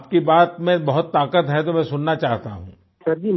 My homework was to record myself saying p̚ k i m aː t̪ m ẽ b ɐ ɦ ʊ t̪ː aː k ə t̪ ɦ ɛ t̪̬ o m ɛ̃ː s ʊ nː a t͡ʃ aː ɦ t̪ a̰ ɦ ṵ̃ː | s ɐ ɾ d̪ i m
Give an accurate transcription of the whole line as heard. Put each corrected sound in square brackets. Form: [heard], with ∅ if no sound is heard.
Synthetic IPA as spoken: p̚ k i [b] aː t̪ m ẽ b ɐ ɦ ʊ t̪ː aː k ə t̪ ɦ ɛ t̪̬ o m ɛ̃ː s ʊ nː a t͡ʃ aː ɦ t̪ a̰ ɦ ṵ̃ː | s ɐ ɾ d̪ i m